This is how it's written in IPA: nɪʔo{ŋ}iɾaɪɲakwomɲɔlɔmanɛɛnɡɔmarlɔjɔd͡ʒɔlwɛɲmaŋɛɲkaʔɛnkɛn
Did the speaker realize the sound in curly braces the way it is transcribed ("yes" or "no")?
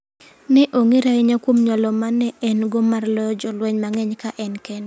yes